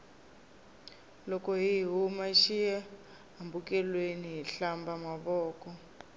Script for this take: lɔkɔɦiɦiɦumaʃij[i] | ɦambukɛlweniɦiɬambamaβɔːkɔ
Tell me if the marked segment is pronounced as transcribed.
no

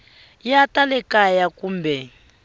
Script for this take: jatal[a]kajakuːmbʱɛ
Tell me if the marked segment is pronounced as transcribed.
no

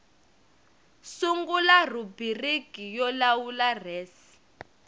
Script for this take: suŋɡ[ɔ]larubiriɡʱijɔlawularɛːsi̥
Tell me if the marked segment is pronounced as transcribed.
no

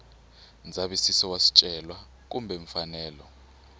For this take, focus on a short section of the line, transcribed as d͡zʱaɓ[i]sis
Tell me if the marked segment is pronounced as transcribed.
yes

